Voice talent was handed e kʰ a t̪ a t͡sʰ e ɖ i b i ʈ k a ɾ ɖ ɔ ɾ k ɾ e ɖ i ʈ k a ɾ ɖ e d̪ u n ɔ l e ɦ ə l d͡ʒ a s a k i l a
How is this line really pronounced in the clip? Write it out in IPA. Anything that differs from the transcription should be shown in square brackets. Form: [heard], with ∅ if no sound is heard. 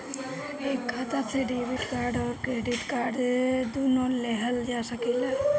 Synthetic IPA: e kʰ a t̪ a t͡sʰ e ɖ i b i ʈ k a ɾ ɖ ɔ ɾ k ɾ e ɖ i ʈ k a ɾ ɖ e d̪ u n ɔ l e ɦ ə l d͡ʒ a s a k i l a